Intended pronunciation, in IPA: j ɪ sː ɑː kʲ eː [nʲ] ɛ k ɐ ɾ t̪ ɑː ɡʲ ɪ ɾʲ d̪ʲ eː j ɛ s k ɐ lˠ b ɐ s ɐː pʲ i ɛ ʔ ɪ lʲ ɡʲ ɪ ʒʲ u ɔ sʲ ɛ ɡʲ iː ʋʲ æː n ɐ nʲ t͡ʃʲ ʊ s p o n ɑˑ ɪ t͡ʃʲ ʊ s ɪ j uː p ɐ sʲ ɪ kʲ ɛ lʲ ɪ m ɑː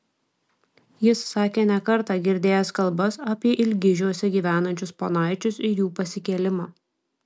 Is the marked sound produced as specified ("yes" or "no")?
yes